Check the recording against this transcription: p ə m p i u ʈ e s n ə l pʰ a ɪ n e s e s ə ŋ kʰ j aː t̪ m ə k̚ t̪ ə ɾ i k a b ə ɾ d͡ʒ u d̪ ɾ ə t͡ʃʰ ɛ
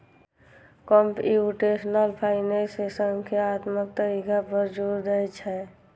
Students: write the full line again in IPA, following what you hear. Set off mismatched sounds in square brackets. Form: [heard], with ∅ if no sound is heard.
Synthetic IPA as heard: [k] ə m p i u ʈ e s n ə l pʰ a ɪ n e s e s ə ŋ kʰ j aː t̪ m ə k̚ t̪ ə ɾ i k a b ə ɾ d͡ʒ u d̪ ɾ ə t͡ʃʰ ɛ